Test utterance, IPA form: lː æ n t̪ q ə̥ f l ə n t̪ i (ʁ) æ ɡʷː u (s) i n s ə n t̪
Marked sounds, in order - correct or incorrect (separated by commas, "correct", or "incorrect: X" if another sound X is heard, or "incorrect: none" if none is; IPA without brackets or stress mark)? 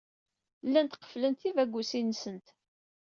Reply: incorrect: v, correct